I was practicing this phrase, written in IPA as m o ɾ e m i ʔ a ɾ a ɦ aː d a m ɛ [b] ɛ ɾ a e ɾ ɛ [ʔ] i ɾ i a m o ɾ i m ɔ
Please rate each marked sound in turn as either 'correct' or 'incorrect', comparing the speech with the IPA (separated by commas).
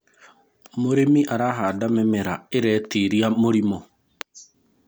incorrect, incorrect